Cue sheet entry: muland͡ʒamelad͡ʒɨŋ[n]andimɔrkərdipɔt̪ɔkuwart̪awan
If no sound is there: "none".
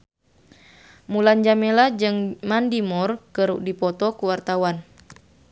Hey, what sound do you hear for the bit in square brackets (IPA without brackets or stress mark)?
m